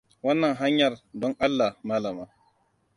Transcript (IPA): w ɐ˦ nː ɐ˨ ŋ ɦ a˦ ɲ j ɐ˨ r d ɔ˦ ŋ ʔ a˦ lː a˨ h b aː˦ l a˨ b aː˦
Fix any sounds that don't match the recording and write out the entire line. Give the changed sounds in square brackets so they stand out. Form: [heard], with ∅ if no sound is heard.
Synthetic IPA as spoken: w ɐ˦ nː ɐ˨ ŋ ɦ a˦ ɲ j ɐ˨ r d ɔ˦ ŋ ʔ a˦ lː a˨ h [m] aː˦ l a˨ [m] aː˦